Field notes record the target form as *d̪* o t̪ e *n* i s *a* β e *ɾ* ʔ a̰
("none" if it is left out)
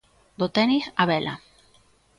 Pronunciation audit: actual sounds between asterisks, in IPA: d̪, n, a, l

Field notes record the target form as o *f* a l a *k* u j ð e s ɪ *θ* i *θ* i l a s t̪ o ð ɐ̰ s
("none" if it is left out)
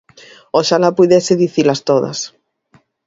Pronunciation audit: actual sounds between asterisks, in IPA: ʃ, p, ð, θ

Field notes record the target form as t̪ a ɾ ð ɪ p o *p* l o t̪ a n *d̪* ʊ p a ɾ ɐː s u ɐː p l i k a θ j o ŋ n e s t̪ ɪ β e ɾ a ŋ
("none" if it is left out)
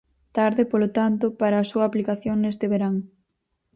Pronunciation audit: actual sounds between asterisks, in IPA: none, t̪

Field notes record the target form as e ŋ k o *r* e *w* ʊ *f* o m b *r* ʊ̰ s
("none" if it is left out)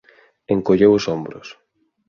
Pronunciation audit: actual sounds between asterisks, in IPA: ʎ, w, s, ɾ

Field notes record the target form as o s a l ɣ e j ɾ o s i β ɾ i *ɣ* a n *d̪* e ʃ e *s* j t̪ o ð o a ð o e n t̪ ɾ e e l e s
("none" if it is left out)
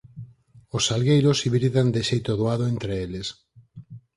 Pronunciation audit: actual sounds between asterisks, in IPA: ð, d̪, none

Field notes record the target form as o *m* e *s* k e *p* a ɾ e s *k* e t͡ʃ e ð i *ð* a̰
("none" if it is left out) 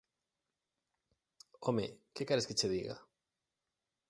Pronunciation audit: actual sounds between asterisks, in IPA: m, none, k, k, ɣ

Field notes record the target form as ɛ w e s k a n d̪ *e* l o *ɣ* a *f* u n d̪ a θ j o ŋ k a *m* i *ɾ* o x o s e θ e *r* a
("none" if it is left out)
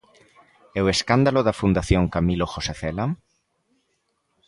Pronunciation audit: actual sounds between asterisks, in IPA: a, ð, f, m, l, l

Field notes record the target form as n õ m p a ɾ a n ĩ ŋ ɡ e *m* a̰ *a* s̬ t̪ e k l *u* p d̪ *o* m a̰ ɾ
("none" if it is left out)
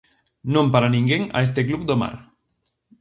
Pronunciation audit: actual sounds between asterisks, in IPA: ŋ, e, u, o

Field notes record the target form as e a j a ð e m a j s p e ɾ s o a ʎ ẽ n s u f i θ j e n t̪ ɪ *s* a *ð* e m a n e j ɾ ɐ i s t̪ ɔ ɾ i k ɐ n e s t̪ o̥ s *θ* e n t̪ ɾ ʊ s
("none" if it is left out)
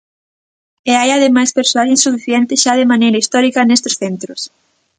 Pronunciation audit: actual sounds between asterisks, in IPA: ʃ, ð, θ

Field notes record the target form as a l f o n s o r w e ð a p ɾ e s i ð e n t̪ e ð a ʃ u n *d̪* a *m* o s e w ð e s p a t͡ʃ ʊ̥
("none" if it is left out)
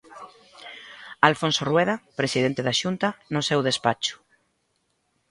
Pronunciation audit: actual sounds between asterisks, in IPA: t̪, n

